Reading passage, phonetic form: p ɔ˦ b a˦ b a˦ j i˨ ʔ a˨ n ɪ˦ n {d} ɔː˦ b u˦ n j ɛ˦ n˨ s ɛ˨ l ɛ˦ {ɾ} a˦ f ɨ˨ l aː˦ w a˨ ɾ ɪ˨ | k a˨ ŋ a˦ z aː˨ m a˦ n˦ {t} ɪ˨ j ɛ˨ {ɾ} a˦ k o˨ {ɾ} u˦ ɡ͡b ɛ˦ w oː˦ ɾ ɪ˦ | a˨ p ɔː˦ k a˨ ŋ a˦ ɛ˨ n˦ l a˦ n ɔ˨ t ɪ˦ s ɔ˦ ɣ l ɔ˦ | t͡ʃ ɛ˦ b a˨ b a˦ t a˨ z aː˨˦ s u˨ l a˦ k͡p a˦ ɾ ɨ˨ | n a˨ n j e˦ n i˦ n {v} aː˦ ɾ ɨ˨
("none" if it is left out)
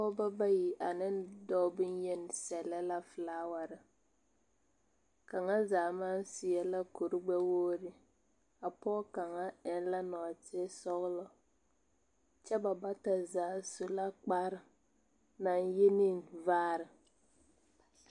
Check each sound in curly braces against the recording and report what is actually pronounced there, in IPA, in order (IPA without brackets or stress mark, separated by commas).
d, l, s, l, ɾ, v